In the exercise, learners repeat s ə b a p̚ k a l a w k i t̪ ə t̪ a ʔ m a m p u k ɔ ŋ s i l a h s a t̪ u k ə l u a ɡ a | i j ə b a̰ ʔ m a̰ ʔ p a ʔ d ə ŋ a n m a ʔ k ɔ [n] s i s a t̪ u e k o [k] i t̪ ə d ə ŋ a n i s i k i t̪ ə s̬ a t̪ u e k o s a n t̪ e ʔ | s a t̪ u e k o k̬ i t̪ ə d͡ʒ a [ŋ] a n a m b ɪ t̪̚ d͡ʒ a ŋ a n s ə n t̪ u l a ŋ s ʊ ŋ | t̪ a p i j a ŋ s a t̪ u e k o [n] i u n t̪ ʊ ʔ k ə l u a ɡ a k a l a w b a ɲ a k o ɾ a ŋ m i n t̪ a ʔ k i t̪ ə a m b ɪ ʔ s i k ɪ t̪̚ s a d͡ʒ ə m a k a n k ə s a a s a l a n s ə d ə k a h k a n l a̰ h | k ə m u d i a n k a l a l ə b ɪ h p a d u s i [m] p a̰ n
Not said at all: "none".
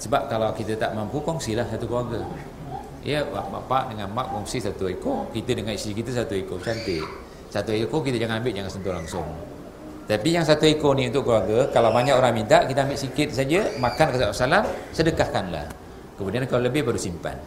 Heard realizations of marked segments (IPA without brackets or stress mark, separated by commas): ŋ, k, ŋ, n, m